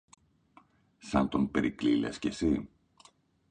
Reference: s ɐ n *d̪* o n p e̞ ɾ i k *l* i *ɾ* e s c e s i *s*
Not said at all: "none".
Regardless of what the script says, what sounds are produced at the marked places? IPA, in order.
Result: t̪, l, l, none

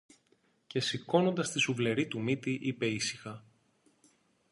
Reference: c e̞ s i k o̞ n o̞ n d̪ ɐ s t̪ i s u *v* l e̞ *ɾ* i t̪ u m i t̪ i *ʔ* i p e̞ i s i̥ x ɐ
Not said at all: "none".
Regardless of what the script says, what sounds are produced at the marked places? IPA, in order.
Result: v, ɾ, ʔ

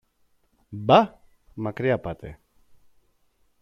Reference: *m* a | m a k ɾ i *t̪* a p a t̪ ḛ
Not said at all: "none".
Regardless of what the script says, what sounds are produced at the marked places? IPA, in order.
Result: b, none

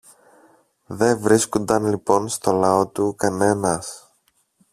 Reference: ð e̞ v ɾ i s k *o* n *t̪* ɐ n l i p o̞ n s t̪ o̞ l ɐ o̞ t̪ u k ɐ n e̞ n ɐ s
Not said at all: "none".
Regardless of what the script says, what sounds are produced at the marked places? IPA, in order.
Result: o, d̪

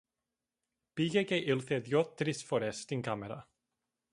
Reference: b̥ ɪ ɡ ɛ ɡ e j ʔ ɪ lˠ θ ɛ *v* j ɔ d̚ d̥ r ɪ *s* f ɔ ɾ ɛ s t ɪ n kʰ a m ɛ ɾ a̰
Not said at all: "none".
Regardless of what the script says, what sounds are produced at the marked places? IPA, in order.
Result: ð, s

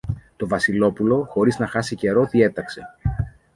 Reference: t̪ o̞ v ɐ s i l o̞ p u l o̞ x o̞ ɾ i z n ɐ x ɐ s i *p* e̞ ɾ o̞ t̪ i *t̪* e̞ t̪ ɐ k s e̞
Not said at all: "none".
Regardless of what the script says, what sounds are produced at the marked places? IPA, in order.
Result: c, none

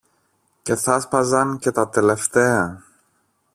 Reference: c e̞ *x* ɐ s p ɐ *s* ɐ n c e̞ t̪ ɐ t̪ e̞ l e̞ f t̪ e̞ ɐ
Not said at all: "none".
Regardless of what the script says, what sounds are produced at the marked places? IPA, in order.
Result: θ, z

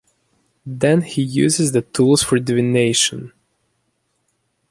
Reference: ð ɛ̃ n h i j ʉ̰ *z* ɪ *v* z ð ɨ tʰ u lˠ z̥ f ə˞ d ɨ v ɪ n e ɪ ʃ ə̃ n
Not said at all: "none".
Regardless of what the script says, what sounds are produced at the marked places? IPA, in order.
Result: z, none

